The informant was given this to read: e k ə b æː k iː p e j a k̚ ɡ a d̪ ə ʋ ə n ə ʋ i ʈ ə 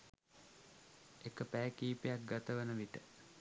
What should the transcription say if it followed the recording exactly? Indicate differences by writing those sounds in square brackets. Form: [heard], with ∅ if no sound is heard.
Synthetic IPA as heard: e k ə [p] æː k iː p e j a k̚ ɡ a [t̪] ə ʋ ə n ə ʋ i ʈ ə

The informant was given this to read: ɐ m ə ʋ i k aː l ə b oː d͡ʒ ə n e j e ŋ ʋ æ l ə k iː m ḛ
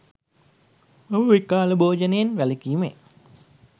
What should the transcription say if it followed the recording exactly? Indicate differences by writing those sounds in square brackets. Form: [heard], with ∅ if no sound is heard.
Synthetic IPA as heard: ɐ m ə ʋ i k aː l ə b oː d͡ʒ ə n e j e [n] ʋ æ l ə k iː m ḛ

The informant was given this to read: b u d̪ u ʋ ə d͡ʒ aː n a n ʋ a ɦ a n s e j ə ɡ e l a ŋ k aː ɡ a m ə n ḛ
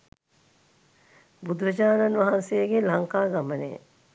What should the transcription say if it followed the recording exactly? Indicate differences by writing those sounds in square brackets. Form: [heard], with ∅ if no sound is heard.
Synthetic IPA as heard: b u d̪ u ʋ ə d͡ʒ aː n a n ʋ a ɦ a n s e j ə ɡ e l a ŋ k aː ɡ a m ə n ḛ

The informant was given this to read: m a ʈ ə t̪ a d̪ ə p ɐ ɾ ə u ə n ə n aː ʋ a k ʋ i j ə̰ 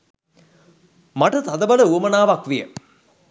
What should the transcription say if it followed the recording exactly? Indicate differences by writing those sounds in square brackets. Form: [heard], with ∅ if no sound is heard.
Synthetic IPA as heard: m a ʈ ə t̪ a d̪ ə [b] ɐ [l] ə u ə [m] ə n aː ʋ a k ʋ i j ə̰

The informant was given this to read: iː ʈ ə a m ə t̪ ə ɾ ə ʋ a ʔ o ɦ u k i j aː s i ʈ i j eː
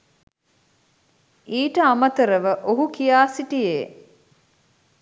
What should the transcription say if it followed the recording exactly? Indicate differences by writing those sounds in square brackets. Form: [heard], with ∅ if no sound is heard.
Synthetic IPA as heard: iː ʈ ə a m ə t̪ ə ɾ ə ʋ [ə] ʔ o ɦ u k i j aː s i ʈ i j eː

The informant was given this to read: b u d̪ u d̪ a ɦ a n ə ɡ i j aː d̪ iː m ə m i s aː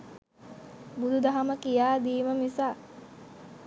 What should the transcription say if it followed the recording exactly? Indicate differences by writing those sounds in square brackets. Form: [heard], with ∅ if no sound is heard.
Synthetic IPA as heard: b u d̪ u d̪ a ɦ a [m] ə [k] i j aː d̪ iː m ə m i s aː

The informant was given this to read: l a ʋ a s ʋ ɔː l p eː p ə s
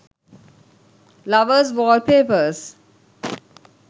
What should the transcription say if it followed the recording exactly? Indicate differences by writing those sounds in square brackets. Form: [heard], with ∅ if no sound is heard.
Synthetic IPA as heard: l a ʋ [ə] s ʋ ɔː l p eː p ə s

